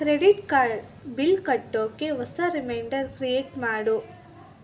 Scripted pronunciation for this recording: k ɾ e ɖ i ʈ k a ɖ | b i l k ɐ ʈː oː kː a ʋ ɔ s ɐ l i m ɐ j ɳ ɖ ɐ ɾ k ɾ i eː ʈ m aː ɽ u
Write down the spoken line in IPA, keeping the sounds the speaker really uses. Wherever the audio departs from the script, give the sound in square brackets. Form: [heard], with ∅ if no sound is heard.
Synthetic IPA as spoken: k ɾ e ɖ i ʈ k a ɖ | b i l k ɐ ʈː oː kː [e] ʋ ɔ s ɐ [ɾ] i m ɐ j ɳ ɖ ɐ ɾ k ɾ i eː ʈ m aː ɽ u